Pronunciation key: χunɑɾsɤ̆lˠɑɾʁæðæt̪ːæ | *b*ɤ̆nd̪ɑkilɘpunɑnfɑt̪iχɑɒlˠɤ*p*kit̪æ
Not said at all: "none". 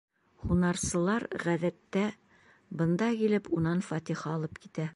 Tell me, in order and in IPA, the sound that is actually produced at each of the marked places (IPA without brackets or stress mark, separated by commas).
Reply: b, p